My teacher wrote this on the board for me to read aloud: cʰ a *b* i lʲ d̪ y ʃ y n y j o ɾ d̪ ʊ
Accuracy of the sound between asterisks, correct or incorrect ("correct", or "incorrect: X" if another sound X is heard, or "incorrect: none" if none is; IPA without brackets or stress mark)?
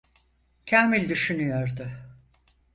incorrect: m